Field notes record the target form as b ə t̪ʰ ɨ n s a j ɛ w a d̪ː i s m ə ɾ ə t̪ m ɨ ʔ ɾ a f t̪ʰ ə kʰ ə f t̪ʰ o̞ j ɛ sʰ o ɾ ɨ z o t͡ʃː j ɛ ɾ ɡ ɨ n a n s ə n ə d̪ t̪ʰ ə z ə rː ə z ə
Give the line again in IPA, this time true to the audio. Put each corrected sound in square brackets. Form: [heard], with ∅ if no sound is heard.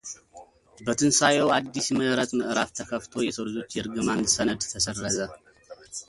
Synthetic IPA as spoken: b ə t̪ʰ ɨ n s a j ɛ w a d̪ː i s m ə ɾ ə t̪ m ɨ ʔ ɾ a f t̪ʰ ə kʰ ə f t̪ʰ o̞ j ɛ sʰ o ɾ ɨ z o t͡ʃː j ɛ ɾ ɡ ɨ [m] a n s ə n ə d̪ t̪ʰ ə [s] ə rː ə z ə

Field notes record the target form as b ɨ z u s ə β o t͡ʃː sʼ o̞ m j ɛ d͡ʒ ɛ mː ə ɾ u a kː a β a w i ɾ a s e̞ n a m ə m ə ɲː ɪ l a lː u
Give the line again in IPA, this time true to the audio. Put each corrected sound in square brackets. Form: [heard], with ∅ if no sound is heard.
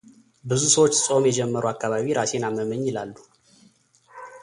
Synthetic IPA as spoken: b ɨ z u s ə [w] o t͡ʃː sʼ o̞ m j ɛ d͡ʒ ɛ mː ə ɾ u a kː a β a [β] i ɾ a s e̞ n a m ə m ə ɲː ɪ l a lː u

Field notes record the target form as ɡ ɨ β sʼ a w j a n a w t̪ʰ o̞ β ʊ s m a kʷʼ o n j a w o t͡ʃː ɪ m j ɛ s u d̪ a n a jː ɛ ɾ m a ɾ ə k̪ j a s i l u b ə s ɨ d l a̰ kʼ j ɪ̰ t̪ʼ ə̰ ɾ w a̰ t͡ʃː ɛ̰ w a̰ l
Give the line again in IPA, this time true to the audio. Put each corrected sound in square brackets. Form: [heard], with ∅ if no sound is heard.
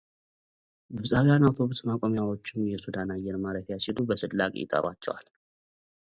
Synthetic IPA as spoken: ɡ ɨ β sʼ a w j a n a w t̪ʰ o̞ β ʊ s m a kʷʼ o [m] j a w o t͡ʃː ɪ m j ɛ s u d̪ a n a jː ɛ ɾ m a ɾ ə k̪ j a s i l u b ə s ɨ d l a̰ kʼ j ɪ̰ t̪ʼ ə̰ ɾ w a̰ t͡ʃː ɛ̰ w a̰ l

